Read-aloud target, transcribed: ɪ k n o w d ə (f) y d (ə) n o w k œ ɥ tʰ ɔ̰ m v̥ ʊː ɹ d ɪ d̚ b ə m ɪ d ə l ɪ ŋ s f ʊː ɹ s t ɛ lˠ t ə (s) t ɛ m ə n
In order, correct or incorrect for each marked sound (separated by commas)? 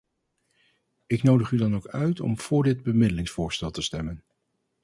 incorrect, incorrect, correct